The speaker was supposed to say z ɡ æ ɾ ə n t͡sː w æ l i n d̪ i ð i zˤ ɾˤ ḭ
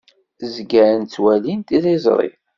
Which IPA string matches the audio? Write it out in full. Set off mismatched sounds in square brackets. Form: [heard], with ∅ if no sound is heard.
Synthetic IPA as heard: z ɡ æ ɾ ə n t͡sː w æ l i n [t̪] i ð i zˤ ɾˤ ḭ